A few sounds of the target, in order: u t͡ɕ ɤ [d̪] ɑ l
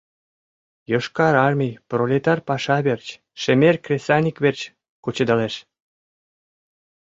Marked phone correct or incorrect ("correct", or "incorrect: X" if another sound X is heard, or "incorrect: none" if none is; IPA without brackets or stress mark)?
correct